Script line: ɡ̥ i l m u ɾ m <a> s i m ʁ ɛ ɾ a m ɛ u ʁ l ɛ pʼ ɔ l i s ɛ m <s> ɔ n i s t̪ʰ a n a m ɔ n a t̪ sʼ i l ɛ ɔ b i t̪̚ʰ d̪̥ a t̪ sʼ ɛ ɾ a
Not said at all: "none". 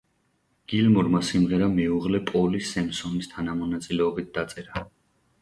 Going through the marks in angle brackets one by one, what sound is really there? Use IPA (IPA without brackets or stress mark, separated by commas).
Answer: a, s